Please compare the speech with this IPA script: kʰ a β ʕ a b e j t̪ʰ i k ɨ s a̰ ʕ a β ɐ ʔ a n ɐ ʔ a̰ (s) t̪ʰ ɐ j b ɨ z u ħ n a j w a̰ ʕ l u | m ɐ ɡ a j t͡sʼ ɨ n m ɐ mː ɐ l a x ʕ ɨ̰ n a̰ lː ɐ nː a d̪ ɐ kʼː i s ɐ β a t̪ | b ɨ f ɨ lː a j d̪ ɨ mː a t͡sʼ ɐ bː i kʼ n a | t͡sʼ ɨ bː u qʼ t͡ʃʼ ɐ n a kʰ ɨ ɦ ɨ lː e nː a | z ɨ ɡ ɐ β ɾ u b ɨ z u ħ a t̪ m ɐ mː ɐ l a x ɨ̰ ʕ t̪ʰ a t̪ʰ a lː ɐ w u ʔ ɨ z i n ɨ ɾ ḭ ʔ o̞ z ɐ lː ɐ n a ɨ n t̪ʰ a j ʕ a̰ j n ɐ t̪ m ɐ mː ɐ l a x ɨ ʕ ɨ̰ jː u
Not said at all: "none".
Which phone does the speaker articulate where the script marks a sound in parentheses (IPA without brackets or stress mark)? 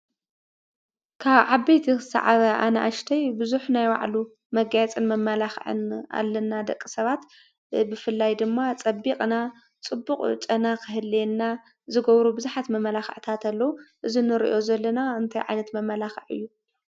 ʃ